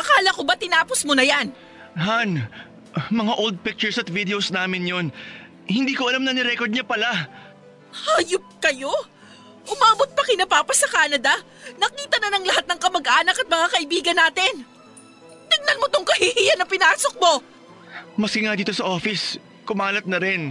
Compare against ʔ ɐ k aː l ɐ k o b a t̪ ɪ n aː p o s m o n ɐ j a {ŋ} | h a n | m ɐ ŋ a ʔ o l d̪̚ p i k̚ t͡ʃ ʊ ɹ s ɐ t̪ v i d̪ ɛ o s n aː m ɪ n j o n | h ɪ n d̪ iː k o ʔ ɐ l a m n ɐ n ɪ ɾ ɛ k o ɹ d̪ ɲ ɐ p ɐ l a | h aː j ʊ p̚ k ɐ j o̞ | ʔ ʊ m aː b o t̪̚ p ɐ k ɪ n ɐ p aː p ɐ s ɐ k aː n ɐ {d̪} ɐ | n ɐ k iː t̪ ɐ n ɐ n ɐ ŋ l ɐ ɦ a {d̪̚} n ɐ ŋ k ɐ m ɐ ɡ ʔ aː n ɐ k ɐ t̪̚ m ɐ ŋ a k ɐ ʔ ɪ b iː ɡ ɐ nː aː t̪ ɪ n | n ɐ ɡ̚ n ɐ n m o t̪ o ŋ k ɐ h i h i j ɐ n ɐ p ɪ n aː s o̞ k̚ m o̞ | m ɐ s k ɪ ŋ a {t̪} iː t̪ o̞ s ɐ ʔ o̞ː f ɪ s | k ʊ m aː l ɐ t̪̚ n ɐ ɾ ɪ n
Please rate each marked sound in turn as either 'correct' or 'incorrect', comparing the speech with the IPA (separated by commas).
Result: incorrect, correct, incorrect, incorrect